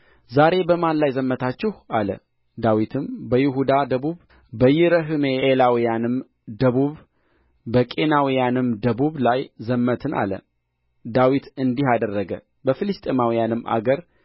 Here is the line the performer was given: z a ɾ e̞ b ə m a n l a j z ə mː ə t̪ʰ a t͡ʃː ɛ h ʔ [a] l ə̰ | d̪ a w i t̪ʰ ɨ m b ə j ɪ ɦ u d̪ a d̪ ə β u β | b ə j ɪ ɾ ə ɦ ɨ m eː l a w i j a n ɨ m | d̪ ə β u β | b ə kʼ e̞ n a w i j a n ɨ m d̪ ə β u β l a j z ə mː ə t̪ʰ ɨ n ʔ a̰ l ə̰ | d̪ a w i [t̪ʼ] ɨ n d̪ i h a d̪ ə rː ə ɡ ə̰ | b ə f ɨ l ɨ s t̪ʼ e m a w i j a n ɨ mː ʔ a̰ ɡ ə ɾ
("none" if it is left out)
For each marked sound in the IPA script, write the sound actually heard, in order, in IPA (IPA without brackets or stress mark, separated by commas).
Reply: a, t̪